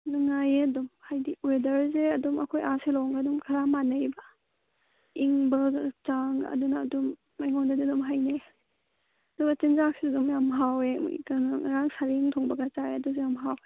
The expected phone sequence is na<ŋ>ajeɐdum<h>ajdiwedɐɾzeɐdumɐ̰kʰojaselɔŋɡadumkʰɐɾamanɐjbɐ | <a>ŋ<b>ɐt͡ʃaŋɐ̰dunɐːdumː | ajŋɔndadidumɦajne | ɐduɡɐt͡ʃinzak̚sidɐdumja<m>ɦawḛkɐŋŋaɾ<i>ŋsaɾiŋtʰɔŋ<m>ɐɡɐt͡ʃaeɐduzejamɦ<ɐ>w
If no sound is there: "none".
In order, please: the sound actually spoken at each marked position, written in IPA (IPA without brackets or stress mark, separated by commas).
ŋ, h, i, b, m, a, b, a